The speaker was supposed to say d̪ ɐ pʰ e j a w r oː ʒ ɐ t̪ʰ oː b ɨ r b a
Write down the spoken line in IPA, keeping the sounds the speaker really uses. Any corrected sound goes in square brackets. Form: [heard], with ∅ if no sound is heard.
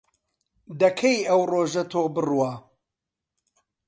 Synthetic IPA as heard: d̪ ɐ [kʰ] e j [ɐ] w r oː ʒ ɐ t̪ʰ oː b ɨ r [w] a